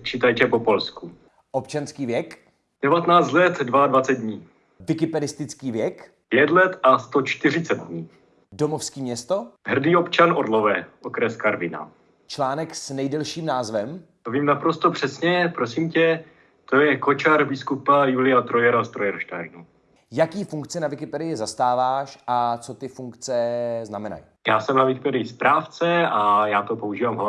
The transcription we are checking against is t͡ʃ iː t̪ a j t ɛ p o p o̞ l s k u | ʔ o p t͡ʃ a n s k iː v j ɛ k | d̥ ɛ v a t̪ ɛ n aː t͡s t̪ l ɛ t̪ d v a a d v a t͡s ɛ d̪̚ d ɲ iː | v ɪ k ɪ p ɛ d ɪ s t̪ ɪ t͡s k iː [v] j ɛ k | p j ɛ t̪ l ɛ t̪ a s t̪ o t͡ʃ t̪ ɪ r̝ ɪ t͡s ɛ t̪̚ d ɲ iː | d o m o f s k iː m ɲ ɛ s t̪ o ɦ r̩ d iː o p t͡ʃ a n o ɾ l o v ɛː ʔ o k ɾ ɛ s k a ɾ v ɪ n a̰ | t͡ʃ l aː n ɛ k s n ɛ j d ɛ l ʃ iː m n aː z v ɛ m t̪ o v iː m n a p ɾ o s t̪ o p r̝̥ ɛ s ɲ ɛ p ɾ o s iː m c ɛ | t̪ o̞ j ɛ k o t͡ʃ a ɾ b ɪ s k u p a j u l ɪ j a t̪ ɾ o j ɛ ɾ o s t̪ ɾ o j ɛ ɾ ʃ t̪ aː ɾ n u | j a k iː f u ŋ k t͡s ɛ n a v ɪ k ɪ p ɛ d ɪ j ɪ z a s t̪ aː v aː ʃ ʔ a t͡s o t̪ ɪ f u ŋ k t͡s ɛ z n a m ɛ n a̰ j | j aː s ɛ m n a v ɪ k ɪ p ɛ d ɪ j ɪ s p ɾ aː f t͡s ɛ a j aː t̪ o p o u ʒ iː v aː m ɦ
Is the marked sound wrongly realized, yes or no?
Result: no